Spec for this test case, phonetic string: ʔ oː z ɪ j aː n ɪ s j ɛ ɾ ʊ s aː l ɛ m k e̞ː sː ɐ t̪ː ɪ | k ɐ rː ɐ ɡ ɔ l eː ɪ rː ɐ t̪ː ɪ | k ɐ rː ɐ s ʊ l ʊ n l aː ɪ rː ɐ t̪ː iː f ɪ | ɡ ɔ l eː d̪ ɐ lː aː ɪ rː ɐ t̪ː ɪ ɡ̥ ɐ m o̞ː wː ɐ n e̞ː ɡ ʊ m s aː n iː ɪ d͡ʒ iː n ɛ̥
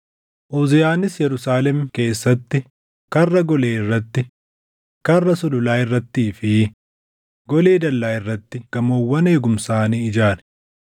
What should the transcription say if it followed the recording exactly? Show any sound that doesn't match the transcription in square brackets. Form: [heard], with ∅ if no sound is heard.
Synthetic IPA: ʔ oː z ɪ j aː n ɪ s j ɛ ɾ ʊ s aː l ɛ m k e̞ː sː ɐ t̪ː ɪ | k ɐ rː ɐ ɡ ɔ l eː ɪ rː ɐ t̪ː ɪ | k ɐ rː ɐ s ʊ l ʊ [∅] l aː ɪ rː ɐ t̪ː iː f ɪ | ɡ ɔ l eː d̪ ɐ lː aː ɪ rː ɐ t̪ː ɪ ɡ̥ ɐ m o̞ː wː ɐ n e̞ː ɡ ʊ m s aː n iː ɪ d͡ʒ [aː] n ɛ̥